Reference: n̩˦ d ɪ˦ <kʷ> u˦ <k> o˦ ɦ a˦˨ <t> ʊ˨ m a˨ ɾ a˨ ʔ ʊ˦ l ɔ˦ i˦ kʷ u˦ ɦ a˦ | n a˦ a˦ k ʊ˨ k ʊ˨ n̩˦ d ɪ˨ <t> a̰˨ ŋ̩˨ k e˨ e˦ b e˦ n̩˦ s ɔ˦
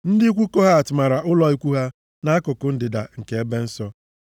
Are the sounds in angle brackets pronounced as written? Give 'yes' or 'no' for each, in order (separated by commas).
yes, yes, yes, no